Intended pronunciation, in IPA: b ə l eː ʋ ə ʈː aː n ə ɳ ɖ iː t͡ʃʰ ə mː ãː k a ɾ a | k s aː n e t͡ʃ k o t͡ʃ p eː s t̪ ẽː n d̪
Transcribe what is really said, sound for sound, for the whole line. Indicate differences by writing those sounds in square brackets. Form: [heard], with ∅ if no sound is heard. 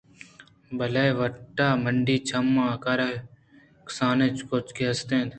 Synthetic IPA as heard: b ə l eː ʋ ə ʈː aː [m] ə ɳ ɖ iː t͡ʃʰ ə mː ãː k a ɾ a | k s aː n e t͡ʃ k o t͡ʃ [k] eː s t̪ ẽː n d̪